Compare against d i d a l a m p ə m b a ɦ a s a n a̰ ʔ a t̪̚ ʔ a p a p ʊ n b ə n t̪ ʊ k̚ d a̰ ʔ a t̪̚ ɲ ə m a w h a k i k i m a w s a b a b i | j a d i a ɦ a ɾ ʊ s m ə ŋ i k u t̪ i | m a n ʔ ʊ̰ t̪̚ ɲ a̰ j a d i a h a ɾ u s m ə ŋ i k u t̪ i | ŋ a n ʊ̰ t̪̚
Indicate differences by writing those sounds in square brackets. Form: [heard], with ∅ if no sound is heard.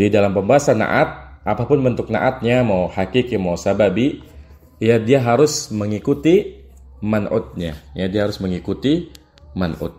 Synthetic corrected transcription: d i d a l a m p ə m b a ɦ a s a n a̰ ʔ a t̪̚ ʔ a p a p ʊ n b ə n t̪ ʊ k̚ [n] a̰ ʔ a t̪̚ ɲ [a] m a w h a k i k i m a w s a b a b i | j a d i a ɦ a ɾ ʊ s m ə ŋ i k u t̪ i | m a n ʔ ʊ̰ t̪̚ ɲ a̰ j a d i a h a ɾ [ʊ] s m ə ŋ i k u t̪ i | [m] a n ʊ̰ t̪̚